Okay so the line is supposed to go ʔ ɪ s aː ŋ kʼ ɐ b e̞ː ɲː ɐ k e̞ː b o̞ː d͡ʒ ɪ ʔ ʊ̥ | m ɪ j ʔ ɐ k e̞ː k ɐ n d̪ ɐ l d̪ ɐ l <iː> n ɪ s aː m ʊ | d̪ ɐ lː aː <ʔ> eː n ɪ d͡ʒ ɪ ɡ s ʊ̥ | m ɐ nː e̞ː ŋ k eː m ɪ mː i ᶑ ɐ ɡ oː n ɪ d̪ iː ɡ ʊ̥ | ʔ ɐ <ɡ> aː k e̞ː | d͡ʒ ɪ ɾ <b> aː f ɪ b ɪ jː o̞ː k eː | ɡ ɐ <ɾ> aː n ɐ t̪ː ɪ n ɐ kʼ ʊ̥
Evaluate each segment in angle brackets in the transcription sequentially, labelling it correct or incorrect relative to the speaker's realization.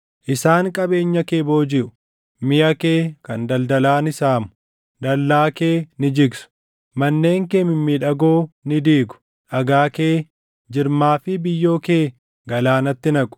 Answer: incorrect: aː, incorrect: k, correct, incorrect: m, incorrect: l

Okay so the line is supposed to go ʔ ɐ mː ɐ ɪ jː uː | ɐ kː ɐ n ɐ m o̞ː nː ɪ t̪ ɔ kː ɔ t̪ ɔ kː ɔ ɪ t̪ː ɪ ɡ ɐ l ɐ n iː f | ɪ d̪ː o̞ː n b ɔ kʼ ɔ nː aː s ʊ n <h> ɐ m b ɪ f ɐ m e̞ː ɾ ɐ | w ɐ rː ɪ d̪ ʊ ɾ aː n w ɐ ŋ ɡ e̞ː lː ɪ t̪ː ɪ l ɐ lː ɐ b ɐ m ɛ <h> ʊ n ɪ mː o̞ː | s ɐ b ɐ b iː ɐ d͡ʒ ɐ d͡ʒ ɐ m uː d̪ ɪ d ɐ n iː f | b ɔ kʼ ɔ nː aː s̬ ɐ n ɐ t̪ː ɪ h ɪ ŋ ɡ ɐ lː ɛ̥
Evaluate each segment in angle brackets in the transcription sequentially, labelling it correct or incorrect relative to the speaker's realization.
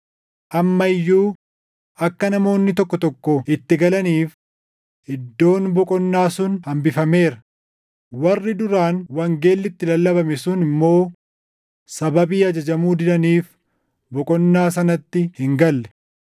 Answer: correct, incorrect: s

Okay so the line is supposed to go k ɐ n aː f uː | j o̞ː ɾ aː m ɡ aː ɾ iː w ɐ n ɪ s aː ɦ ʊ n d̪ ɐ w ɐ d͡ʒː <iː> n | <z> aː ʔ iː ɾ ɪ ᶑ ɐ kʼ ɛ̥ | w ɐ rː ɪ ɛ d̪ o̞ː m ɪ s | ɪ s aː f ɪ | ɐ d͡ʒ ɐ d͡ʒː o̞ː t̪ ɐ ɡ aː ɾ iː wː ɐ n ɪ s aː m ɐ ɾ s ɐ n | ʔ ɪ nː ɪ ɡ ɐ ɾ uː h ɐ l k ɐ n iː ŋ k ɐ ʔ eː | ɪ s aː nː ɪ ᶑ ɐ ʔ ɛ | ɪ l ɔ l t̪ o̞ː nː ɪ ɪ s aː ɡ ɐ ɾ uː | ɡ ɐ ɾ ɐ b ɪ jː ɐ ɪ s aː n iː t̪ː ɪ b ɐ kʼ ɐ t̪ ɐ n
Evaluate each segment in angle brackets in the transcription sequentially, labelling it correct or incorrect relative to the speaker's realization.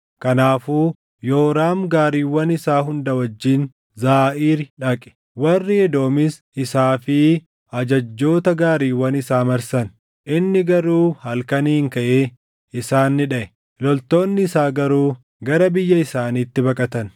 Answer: correct, correct

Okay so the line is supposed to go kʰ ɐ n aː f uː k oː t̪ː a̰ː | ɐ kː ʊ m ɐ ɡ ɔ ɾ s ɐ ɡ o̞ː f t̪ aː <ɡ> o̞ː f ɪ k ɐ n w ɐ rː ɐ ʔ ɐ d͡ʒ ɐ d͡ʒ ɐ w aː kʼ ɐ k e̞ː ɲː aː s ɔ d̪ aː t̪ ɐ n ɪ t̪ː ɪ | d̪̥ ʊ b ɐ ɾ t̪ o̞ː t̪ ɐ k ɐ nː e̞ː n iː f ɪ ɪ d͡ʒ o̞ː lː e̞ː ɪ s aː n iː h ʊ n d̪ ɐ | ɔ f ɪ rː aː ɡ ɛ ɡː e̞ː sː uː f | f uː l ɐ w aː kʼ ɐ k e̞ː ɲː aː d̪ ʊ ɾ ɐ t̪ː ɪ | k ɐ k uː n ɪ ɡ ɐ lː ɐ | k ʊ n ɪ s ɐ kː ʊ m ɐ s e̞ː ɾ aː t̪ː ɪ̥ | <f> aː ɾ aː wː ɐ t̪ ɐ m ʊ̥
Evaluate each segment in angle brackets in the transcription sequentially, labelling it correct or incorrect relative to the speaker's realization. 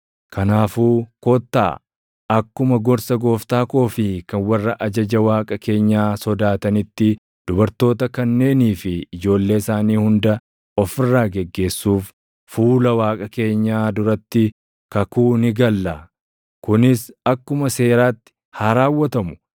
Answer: incorrect: k, incorrect: h

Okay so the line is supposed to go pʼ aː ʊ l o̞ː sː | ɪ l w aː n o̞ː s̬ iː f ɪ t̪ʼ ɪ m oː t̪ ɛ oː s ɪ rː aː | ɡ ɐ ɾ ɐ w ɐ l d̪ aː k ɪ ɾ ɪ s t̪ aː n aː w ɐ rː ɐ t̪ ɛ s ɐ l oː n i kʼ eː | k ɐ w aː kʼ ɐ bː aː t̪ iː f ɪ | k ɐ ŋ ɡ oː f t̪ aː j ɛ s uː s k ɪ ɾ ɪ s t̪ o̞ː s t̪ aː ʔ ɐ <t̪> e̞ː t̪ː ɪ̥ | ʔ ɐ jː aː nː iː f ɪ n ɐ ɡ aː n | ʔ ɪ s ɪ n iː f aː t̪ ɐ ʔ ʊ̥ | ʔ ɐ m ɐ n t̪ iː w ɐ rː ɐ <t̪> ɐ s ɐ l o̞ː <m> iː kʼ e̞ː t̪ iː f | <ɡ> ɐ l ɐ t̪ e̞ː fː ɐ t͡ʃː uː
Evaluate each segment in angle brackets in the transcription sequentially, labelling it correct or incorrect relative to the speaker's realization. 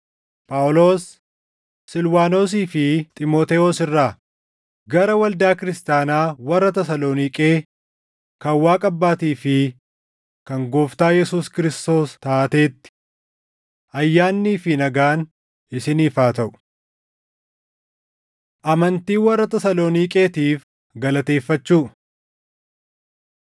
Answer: correct, correct, incorrect: n, correct

